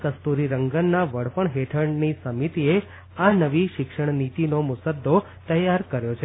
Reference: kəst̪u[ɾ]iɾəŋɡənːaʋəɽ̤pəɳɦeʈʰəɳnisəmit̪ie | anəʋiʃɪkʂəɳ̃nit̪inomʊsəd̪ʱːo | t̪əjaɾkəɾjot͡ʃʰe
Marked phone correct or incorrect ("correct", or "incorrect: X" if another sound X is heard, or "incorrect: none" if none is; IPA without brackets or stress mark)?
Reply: correct